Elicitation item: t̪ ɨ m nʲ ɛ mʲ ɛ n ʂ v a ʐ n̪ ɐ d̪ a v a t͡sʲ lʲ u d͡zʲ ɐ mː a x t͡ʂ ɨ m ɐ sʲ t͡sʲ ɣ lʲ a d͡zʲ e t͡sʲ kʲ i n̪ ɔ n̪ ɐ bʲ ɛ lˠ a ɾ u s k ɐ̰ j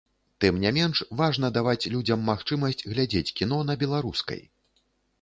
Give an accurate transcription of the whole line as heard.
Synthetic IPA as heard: t̪ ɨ m nʲ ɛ mʲ ɛ n ʂ v a ʐ n̪ ɐ d̪ a v a t͡sʲ lʲ u d͡zʲ ɐ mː a x t͡ʂ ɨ m ɐ sʲ t͡sʲ ɣ lʲ a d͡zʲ e t͡sʲ kʲ i n̪ ɔ n̪ ɐ bʲ ɛ lˠ a ɾ u s k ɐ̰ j